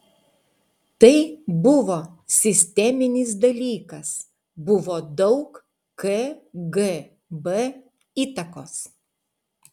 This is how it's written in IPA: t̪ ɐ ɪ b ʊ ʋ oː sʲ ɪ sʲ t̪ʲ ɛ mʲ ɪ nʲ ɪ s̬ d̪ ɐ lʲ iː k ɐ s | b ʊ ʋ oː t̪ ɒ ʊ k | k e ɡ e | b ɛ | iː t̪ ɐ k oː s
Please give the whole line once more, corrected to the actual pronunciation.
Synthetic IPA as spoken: t̪ ɐ ɪ b ʊ ʋ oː sʲ ɪ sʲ t̪ʲ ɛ mʲ ɪ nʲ ɪ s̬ d̪ ɐ lʲ iː k ɐ s | b ʊ ʋ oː d̪ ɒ ʊ k | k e ɡ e | b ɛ | iː t̪ ɐ k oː s

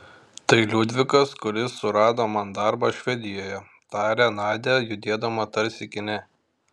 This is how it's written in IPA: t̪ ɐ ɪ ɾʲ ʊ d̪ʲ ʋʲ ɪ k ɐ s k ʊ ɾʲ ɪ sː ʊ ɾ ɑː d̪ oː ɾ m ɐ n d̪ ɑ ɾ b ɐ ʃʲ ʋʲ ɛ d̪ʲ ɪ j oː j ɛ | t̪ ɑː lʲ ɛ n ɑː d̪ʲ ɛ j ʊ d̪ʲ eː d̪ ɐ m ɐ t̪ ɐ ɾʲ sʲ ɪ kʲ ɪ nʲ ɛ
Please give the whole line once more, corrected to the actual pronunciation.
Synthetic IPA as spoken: t̪ ɐ ɪ lʲ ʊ d̪ʲ ʋʲ ɪ k ɐ s k ʊ ɾʲ ɪ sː ʊ ɾ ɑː d̪ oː m ɐ n d̪ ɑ ɾ b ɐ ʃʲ ʋʲ ɛ d̪ʲ ɪ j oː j ɛ | t̪ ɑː ɾʲ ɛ n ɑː d̪ʲ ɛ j ʊ d̪ʲ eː d̪ ɐ m ɐ t̪ ɐ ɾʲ sʲ ɪ kʲ ɪ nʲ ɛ

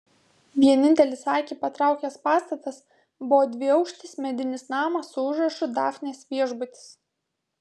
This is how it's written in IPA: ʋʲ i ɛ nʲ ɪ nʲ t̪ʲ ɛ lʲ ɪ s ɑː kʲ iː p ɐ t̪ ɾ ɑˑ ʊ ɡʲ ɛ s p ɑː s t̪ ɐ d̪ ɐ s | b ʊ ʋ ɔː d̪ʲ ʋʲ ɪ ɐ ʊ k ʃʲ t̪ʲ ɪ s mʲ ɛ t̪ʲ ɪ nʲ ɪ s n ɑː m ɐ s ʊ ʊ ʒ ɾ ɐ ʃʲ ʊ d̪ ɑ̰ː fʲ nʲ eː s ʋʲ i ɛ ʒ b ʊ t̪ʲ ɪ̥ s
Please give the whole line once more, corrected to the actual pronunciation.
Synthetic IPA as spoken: ʋʲ i ɛ nʲ ɪ nʲ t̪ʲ ɛ lʲ ɪ s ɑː kʲ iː p ɐ t̪ ɾ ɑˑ ʊ kʲ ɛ s p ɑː s t̪ ɐ t̪ ɐ s | b ʊ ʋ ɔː d̪ʲ ʋʲ ɪ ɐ ʊ k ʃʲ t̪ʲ ɪ s mʲ ɛ d̪ʲ ɪ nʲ ɪ s n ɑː m ɐ s ʊ ʊ ʒ ɾ ɐ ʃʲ ʊ d̪ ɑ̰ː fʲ nʲ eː s ʋʲ i ɛ ʒ b ʊ t̪ʲ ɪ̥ s

